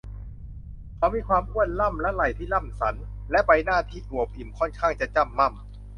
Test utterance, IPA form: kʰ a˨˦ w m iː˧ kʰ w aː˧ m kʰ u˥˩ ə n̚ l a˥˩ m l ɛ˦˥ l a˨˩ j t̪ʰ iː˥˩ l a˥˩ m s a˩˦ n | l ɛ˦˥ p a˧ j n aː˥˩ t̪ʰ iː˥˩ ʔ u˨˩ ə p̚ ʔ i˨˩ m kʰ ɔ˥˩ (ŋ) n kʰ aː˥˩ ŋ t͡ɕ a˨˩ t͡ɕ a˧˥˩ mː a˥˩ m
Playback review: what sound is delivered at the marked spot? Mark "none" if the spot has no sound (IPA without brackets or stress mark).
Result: none